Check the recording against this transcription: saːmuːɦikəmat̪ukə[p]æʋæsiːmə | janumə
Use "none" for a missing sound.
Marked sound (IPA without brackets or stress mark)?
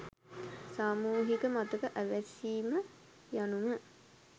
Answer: ʔ